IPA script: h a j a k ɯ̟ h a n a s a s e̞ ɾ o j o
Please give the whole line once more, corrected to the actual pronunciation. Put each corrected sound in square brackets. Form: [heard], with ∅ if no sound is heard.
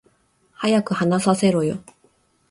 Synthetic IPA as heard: h a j a k ɯ̟ h a n a s a s e̞ ɾ o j o